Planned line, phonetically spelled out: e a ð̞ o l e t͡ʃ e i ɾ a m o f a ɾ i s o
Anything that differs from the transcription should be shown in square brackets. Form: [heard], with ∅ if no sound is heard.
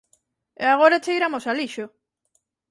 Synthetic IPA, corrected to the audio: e a [ɣ̞] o [ɾ] e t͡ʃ e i ɾ a m o [s] a [l] i [ʃ] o